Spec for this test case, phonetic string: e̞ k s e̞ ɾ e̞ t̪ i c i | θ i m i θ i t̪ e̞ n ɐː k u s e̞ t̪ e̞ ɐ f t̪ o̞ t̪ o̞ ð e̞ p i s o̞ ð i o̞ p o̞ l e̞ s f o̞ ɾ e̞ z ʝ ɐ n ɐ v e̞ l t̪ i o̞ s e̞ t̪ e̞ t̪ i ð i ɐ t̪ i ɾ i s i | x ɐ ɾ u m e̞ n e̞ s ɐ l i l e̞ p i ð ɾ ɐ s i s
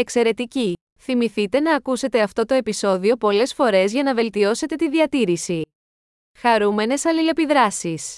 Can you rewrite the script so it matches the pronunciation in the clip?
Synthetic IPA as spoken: e̞ k s e̞ ɾ e̞ t̪ i c i | θ i m i θ i t̪ e̞ n ɐː k u s e̞ t̪ e̞ ɐ f t̪ o̞ t̪ o̞ e̞ p i s o̞ ð i o̞ p o̞ l e̞ s f o̞ ɾ e̞ z ʝ ɐ n ɐ v e̞ l t̪ i o̞ s e̞ t̪ e̞ t̪ i ð i ɐ t̪ i ɾ i s i | x ɐ ɾ u m e̞ n e̞ s ɐ l i l e̞ p i ð ɾ ɐ s i s